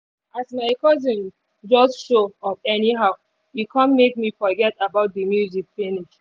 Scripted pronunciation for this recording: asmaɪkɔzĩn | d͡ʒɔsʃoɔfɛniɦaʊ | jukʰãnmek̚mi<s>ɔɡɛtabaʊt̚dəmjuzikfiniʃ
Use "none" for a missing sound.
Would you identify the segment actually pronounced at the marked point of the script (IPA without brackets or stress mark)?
f